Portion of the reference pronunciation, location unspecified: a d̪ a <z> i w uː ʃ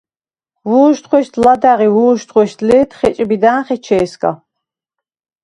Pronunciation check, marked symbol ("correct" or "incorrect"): incorrect